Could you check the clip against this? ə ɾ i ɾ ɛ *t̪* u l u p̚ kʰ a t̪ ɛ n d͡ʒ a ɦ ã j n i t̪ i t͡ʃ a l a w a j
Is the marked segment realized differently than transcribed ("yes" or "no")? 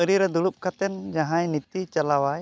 yes